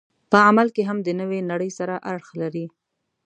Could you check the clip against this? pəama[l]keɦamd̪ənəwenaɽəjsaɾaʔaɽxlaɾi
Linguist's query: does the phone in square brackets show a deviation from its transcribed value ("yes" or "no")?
no